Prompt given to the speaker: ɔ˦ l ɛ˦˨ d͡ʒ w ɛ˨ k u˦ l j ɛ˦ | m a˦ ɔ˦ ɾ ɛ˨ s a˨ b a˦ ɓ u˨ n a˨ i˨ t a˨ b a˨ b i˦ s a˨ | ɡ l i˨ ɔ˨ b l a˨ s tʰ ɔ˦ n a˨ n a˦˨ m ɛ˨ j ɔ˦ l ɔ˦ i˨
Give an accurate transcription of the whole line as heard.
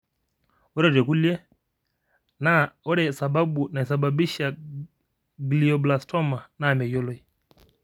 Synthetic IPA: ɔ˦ ɾ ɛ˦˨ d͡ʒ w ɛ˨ k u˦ l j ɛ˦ | n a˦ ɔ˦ ɾ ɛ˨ s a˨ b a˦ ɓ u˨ n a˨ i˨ s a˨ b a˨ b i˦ ʃ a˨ | ɡ l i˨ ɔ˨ b l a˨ s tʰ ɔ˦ m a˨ n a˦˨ m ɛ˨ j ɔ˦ l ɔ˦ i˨